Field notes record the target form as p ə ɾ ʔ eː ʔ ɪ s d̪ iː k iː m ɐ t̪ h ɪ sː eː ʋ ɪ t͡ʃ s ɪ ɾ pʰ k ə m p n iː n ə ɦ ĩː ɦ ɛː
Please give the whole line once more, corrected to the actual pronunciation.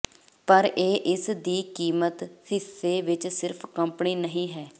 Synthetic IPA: p ə ɾ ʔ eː ʔ ɪ s d̪ iː k iː m ə t̪ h ɪ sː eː ʋ ɪ t͡ʃ s ɪ ɾ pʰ k ə m p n iː n ə ɦ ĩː ɦ ɛː

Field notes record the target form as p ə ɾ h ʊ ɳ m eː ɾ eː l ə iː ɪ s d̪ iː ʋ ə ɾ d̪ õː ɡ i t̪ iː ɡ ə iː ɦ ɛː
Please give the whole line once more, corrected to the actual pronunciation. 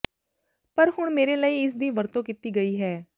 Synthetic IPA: p ə ɾ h ʊ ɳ m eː ɾ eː l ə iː ɪ s d̪ iː ʋ ə ɾ t̪ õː k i t̪ iː ɡ ə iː ɦ ɛː

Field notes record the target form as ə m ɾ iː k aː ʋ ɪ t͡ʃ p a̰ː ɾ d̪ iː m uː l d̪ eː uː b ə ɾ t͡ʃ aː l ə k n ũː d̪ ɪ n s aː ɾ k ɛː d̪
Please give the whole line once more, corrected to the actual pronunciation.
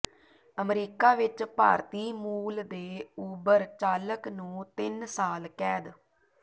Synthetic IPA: ə m ɾ iː k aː ʋ ɪ t͡ʃ p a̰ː ɾ t̪ iː m uː l d̪ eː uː b ə ɾ t͡ʃ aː l ə k n ũː t̪ ɪ n s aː l k ɛː d̪

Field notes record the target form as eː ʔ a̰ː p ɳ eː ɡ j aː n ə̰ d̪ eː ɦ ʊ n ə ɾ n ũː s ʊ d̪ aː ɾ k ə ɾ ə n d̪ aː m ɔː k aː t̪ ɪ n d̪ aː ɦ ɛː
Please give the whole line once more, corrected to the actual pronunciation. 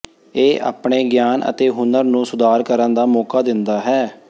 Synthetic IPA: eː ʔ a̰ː p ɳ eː ɡ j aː n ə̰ t̪ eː ɦ ʊ n ə ɾ n ũː s ʊ d̪ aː ɾ k ə ɾ ə n d̪ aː m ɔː k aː d̪ ɪ n d̪ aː ɦ ɛː

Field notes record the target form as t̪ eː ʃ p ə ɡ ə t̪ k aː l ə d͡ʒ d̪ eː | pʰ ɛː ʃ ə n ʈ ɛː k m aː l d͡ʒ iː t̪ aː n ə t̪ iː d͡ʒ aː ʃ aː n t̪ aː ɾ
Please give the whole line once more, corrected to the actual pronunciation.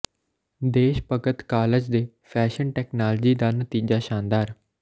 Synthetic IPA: d̪ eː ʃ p ə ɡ ə t̪ k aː l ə d͡ʒ d̪ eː | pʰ ɛː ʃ ə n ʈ ɛː k n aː l d͡ʒ iː d̪ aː n ə t̪ iː d͡ʒ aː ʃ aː n d̪ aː ɾ

